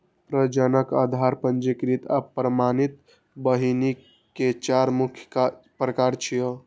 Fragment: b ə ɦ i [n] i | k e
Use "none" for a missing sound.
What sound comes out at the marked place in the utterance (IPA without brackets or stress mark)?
n